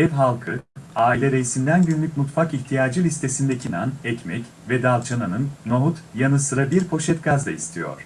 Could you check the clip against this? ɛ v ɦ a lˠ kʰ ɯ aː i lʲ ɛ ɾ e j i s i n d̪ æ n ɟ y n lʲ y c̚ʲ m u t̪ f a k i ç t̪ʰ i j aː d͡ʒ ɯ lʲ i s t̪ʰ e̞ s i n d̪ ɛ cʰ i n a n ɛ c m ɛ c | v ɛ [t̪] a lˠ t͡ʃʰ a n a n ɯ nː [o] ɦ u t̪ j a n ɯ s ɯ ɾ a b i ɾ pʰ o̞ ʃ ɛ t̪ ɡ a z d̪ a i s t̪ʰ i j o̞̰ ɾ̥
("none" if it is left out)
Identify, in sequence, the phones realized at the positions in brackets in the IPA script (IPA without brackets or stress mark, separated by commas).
d̪, o